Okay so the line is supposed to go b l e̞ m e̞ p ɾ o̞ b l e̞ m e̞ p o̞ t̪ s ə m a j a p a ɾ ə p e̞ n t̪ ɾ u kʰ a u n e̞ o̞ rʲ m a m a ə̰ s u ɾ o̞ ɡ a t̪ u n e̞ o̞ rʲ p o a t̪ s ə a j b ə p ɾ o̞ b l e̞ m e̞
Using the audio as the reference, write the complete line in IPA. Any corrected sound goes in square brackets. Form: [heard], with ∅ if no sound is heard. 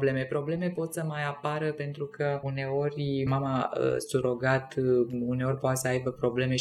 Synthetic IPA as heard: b l e̞ m e̞ p ɾ o̞ b l e̞ m e̞ p o̞ t̪ s ə m a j a p a ɾ ə p e̞ n t̪ ɾ u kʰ [ə] u n e̞ o̞ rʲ m a m a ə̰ s u ɾ o̞ ɡ a t̪ u n e̞ o̞ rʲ p o a t̪ s ə a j b ə p ɾ o̞ b l e̞ m e̞